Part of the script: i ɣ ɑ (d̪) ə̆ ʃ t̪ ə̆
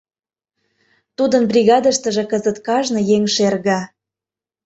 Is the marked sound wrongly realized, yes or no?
no